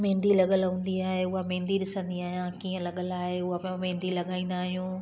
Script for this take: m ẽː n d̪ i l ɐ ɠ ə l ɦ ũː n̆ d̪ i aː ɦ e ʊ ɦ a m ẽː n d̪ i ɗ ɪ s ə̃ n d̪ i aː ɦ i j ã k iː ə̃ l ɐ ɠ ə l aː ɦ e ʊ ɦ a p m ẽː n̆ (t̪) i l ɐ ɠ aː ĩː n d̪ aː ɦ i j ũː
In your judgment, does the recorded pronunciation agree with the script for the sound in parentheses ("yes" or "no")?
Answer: no